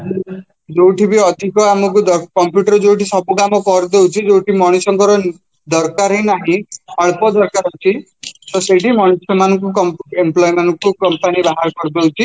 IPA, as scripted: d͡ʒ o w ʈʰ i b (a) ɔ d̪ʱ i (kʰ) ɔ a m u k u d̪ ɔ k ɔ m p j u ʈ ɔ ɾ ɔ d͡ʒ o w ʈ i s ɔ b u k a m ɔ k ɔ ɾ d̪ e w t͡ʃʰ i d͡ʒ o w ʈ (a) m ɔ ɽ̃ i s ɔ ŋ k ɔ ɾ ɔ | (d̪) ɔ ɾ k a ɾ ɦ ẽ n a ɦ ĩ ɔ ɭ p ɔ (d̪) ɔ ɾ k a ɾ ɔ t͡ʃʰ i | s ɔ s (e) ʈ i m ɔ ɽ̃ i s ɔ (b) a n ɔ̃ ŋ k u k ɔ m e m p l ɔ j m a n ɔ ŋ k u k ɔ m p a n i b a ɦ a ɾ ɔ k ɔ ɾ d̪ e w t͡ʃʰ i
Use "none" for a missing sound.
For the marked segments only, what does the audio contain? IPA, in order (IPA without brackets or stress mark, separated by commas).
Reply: i, k, i, d̪, d̪, e, m